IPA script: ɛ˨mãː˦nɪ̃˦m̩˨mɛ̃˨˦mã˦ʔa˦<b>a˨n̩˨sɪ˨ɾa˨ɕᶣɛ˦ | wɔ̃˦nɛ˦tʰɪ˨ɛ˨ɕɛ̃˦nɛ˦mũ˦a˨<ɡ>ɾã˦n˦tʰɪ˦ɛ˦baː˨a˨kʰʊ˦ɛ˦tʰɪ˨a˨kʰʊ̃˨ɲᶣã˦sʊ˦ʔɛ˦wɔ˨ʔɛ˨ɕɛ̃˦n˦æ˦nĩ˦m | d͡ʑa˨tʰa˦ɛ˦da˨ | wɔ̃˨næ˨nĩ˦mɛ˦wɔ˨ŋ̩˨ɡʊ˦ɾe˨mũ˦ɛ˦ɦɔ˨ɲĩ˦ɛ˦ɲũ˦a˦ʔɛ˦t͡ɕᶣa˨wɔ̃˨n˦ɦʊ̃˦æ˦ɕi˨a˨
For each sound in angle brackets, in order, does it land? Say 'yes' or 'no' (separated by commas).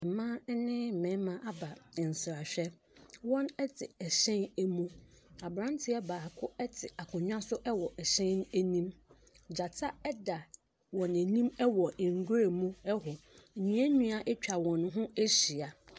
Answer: yes, no